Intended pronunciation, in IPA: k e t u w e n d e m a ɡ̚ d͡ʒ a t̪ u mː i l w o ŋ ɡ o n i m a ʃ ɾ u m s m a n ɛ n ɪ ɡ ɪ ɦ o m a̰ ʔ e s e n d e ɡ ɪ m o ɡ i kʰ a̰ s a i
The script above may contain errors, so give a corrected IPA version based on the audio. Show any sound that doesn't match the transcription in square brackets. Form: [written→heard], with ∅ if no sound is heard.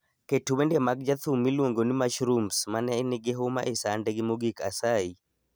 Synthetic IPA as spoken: k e t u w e n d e m a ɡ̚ d͡ʒ a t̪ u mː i l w o ŋ ɡ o n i m a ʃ ɾ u m s m a n ɛ n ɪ ɡ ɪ ɦ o m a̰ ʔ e s [e→a] n d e ɡ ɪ m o ɡ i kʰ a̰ s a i